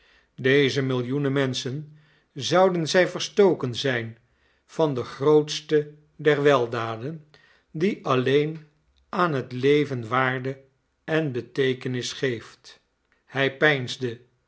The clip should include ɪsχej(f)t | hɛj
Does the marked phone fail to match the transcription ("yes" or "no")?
no